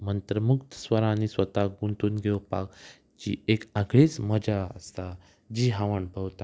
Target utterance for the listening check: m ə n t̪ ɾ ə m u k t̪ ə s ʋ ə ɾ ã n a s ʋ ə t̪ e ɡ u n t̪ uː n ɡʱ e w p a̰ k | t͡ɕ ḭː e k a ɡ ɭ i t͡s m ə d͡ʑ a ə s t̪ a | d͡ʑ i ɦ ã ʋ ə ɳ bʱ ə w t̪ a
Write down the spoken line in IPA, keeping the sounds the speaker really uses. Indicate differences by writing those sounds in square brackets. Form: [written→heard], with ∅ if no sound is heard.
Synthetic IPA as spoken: m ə n t̪ ɾ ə m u k t̪ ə s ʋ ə ɾ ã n [a→i] s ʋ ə t̪ [e→a] ɡ u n t̪ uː n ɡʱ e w p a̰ k | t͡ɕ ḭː e k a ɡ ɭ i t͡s m ə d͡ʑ a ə s t̪ a | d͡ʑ i ɦ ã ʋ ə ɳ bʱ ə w t̪ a

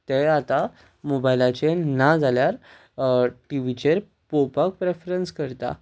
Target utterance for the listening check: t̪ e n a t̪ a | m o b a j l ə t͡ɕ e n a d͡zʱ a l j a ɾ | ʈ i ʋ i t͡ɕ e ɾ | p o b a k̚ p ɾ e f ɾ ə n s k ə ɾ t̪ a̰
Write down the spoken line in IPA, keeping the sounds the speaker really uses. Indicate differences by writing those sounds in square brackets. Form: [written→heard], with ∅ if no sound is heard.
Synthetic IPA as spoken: t̪ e [n→∅] a t̪ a | m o b a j l [ə→a] t͡ɕ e n a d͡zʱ a l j a ɾ | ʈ i ʋ i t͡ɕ e ɾ | p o [b→p] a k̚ p ɾ e f ɾ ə n s k ə ɾ t̪ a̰

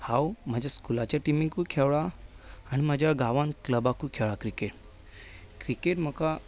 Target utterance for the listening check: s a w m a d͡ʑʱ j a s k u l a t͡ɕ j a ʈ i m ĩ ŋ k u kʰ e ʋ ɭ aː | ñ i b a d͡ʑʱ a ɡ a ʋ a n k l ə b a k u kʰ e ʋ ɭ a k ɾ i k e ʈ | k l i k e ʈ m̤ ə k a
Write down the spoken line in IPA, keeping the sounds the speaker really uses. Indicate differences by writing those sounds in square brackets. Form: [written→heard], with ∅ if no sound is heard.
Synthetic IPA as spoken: [s→h] a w m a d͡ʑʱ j a s k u l a t͡ɕ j a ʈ i m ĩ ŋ k u kʰ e ʋ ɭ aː | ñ i [b→m] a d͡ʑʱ a ɡ a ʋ a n k l ə b a k u kʰ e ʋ ɭ a k ɾ i k e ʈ | k [l→ɾ] i k e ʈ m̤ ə k a

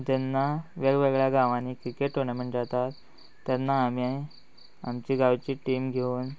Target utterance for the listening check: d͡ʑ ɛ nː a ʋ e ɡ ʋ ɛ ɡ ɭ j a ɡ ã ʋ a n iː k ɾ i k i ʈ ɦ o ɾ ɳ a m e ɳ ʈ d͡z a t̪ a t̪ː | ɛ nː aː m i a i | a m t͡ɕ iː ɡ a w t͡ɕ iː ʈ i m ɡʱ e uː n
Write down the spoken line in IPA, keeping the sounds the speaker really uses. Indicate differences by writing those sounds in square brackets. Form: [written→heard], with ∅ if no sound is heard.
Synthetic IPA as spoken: d͡ʑ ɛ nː a ʋ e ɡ ʋ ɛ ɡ ɭ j a ɡ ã ʋ a n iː k ɾ i k [i→e] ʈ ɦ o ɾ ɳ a m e ɳ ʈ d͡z a t̪ a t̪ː | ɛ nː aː m i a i | a m t͡ɕ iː ɡ a [w→ʋ] t͡ɕ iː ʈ i m ɡʱ e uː n

